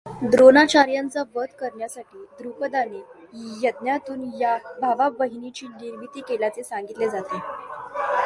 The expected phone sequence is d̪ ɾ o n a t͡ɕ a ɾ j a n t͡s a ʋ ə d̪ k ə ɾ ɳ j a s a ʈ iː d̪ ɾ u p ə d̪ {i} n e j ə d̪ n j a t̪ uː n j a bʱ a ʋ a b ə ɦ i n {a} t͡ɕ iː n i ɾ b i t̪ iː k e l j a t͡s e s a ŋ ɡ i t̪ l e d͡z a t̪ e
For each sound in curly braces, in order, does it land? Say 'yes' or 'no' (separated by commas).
no, no